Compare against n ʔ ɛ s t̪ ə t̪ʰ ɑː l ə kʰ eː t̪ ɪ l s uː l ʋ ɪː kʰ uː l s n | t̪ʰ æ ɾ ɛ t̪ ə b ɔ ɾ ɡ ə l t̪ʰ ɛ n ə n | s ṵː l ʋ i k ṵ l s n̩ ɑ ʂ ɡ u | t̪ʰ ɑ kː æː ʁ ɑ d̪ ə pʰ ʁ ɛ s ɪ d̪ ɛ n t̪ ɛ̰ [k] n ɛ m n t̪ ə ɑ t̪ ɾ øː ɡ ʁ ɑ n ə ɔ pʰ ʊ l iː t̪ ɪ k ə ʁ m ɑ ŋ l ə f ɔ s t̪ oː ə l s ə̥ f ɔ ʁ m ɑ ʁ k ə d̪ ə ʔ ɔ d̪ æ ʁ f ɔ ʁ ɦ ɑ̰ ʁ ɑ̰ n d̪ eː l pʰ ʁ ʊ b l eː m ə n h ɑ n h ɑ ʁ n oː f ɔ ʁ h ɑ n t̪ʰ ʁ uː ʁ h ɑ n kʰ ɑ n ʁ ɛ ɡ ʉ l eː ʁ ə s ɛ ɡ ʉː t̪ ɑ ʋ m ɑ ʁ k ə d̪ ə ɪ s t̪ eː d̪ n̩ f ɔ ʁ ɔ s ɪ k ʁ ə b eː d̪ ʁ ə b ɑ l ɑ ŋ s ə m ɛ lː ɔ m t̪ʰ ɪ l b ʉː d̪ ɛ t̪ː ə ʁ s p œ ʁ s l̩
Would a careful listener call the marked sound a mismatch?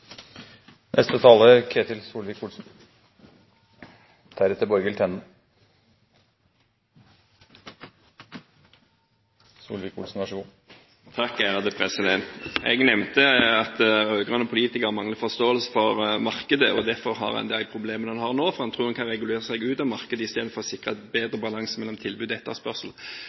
yes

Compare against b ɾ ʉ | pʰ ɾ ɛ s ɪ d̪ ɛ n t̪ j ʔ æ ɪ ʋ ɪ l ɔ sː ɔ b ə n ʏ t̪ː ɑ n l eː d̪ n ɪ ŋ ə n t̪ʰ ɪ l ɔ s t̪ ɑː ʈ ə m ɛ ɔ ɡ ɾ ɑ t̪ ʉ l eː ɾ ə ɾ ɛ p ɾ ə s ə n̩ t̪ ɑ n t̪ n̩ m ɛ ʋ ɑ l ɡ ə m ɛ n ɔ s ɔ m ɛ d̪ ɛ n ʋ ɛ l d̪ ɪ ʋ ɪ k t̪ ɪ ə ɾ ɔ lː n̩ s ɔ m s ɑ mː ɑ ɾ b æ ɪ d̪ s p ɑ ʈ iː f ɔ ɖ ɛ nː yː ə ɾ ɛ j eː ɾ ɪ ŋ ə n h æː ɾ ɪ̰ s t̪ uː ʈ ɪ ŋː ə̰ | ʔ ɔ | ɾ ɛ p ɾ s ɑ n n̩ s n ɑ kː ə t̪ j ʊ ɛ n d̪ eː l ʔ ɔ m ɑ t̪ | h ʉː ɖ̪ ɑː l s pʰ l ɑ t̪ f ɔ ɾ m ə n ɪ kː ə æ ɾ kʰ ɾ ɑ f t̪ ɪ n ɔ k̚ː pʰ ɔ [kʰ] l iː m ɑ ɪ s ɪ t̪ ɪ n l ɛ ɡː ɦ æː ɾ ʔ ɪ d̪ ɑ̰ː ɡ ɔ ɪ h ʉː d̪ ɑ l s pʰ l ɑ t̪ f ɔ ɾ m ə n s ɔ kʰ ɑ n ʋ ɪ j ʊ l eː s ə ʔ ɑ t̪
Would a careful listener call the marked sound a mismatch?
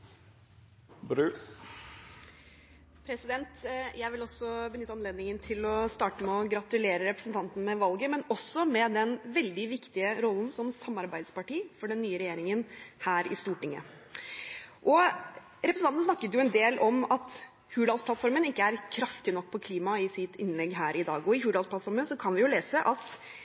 no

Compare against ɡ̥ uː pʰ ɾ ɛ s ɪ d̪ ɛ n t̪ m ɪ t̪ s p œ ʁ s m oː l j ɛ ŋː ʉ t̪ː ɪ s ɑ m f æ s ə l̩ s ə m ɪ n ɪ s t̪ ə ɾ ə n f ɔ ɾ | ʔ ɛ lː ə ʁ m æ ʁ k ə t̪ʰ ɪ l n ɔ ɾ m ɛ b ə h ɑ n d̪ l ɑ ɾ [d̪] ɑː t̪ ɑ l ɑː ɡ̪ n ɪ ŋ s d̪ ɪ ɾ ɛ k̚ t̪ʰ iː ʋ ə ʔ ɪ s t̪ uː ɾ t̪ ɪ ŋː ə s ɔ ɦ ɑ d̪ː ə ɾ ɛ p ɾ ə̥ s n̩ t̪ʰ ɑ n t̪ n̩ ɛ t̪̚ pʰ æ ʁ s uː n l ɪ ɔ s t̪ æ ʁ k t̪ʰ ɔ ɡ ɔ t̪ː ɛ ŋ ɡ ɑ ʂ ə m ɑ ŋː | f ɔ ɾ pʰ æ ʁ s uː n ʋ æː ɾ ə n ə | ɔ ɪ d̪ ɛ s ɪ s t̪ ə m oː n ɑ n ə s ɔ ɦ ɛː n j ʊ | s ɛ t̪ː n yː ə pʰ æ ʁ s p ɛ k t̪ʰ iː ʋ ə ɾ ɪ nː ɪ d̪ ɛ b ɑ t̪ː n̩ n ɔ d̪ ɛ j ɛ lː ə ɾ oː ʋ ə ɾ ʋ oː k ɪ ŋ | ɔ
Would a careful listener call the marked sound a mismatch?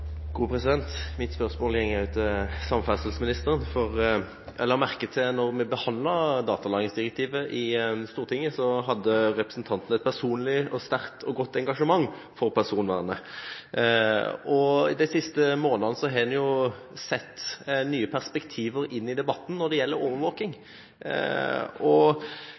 no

